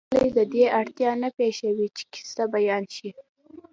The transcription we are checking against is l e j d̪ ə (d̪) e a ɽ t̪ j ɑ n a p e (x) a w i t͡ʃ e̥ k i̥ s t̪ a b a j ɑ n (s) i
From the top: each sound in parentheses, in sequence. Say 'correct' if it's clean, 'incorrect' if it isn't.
correct, incorrect, incorrect

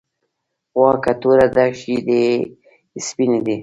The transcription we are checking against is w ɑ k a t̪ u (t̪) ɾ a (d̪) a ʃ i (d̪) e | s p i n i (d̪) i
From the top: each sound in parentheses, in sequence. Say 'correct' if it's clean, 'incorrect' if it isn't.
incorrect, correct, correct, correct

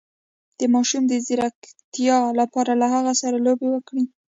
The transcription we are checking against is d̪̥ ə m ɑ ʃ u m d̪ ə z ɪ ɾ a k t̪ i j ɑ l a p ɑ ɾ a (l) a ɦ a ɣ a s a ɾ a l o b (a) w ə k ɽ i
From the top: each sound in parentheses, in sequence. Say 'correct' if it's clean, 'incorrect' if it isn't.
correct, incorrect

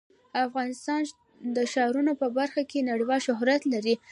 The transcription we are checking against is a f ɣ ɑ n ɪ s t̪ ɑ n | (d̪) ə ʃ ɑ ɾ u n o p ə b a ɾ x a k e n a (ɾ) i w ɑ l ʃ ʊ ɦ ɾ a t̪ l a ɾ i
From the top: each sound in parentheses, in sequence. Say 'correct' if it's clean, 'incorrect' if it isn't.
correct, incorrect

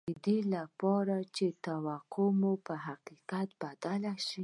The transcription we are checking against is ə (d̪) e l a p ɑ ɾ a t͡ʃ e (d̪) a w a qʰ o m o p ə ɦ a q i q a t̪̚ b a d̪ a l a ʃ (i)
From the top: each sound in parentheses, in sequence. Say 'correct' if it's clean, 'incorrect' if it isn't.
correct, incorrect, correct

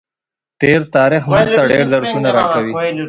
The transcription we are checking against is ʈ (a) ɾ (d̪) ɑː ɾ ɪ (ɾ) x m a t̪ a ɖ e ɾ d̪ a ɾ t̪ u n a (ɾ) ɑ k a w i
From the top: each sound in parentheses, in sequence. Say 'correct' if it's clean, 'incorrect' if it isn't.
incorrect, incorrect, incorrect, correct

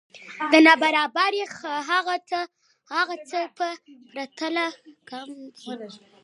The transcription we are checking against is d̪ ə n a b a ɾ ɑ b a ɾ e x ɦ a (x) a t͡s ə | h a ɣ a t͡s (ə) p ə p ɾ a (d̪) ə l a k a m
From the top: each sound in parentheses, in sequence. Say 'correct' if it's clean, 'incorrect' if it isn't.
incorrect, correct, incorrect

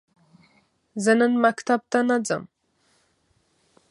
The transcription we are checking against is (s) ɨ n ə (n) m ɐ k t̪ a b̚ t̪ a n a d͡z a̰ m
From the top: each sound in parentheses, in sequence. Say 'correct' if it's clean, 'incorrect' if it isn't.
incorrect, correct

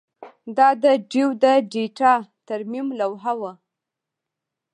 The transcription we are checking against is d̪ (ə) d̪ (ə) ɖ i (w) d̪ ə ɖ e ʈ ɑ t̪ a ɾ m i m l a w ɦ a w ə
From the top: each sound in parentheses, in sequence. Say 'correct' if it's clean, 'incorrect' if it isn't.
incorrect, correct, correct

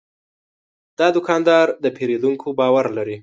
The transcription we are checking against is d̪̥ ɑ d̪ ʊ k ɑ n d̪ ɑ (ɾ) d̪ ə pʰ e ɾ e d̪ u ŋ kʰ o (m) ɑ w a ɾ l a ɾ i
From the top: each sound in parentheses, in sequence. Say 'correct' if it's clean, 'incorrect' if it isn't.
correct, incorrect

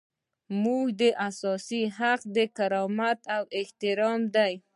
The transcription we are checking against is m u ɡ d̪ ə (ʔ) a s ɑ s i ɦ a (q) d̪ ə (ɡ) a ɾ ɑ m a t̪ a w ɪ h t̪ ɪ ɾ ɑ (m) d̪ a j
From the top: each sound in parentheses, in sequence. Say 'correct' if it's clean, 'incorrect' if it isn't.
correct, correct, incorrect, correct

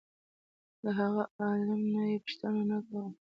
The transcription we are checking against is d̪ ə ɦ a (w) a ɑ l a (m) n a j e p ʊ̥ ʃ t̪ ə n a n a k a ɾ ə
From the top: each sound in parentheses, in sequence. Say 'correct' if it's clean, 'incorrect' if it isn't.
incorrect, correct

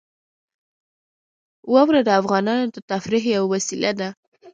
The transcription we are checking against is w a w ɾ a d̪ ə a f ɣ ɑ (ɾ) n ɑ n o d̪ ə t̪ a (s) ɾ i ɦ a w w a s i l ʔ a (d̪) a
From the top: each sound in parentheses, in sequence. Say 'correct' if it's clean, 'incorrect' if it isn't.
incorrect, incorrect, correct

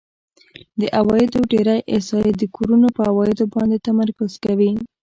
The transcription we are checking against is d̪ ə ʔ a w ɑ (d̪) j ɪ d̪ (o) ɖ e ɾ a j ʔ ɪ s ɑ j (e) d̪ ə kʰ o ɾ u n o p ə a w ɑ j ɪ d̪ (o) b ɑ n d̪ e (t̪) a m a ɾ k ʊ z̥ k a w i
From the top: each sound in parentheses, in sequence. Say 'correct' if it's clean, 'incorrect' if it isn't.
incorrect, correct, correct, correct, correct

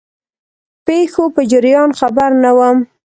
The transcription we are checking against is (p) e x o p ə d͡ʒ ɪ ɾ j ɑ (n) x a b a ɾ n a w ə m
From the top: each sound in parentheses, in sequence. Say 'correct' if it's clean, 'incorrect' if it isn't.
correct, correct

